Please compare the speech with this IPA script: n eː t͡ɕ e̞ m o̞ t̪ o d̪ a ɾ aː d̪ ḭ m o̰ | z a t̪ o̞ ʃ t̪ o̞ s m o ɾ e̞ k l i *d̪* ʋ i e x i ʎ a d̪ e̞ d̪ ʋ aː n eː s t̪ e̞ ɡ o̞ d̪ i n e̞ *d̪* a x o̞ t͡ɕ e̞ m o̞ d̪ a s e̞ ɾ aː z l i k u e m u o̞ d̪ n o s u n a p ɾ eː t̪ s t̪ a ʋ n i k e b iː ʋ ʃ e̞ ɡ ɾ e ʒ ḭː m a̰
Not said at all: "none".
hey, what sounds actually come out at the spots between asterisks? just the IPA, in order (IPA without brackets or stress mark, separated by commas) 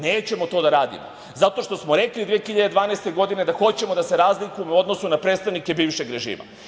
d̪, d̪